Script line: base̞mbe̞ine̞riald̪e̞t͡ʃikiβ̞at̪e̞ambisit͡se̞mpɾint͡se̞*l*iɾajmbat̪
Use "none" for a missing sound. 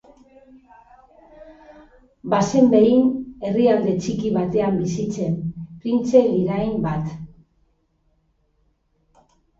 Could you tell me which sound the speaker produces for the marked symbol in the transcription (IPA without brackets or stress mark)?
l